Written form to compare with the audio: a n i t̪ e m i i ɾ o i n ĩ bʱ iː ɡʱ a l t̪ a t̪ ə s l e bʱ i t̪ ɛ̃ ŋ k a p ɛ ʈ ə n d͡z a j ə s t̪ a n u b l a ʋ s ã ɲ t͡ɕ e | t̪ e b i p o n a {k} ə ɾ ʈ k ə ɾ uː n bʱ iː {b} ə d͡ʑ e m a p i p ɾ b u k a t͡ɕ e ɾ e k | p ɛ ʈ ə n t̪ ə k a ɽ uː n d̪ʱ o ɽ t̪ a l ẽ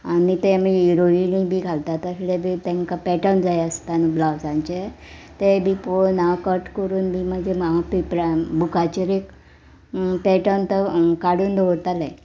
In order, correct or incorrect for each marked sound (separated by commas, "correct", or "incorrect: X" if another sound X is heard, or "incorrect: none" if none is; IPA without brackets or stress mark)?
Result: correct, incorrect: m